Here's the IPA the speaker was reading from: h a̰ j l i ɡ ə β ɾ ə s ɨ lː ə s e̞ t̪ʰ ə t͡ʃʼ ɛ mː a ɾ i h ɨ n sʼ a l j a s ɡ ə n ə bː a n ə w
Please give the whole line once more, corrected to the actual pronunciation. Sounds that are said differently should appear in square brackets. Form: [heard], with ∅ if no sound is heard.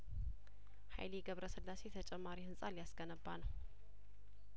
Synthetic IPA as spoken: h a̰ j l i ɡ ə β ɾ ə s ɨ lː [a] s e̞ t̪ʰ ə t͡ʃʼ ɛ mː a ɾ i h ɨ n sʼ a l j a s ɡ ə n ə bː a n ə w